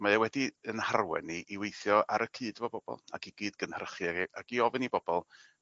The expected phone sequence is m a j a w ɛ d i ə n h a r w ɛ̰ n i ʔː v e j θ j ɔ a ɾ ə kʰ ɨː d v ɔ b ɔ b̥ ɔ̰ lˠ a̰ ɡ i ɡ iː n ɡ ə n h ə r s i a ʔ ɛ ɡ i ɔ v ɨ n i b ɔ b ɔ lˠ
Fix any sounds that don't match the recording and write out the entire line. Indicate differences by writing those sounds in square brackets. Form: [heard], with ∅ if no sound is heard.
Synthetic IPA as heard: m a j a w ɛ d i ə n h a r w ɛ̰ n i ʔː [w] e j θ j ɔ a ɾ ə kʰ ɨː d v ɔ b ɔ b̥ ɔ̰ lˠ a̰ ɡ i ɡ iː [d] ɡ ə n h ə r [χ] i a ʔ [a] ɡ i ɔ v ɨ n i b ɔ b ɔ lˠ